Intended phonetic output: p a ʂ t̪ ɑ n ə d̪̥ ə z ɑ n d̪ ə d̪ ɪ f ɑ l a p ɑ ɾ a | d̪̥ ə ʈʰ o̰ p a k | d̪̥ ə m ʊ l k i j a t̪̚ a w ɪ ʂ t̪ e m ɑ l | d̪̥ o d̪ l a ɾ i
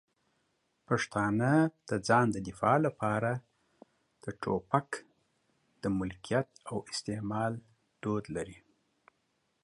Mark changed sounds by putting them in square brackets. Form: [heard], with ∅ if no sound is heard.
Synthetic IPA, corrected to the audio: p a ʂ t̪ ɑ n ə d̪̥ ə [d͡z] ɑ n d̪ ə d̪ ɪ f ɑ l a p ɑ ɾ a | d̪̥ ə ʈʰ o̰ p a k | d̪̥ ə m ʊ l k i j a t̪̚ a w ɪ [s] t̪ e m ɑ l | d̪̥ o d̪ l a ɾ i